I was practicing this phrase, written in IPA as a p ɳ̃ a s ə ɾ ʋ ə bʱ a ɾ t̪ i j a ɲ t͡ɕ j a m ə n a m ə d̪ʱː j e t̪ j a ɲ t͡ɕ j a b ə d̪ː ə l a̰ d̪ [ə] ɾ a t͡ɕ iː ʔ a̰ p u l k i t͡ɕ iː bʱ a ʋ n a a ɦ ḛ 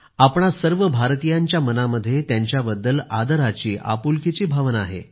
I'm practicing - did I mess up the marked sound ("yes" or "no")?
no